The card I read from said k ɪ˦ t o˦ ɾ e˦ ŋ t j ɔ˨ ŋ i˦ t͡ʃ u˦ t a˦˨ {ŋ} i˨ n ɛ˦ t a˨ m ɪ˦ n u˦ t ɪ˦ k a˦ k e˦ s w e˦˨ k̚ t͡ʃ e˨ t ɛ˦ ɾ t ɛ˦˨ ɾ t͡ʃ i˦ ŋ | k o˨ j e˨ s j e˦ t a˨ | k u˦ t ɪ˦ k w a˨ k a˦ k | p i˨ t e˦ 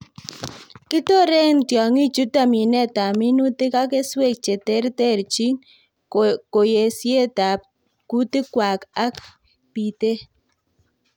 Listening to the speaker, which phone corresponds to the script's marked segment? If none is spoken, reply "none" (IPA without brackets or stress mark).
m